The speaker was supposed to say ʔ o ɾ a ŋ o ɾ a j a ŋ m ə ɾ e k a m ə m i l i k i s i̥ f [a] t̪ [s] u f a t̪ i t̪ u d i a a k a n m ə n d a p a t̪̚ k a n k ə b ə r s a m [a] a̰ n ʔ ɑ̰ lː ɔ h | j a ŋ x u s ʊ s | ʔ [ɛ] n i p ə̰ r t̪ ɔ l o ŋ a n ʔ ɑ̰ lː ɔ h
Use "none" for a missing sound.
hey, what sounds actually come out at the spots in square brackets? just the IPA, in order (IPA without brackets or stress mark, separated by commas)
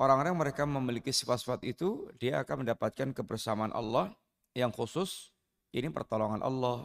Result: a, s, a, i